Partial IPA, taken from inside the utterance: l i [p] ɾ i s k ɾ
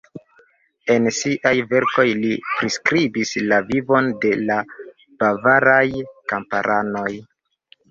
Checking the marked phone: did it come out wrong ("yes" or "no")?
no